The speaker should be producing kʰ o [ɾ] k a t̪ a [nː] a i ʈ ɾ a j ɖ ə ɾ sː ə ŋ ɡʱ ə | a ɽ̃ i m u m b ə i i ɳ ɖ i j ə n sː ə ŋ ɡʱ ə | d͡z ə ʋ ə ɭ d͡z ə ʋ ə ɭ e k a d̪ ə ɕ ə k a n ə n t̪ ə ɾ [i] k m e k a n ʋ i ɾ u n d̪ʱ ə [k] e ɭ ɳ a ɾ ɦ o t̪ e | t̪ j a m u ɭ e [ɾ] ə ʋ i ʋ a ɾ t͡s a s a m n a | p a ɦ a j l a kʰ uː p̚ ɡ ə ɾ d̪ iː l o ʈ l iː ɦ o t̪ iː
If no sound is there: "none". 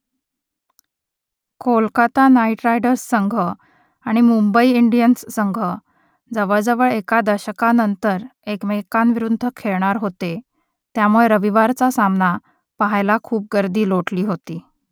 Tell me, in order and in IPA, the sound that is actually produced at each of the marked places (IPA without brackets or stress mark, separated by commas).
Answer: l, n, e, kʰ, ɾ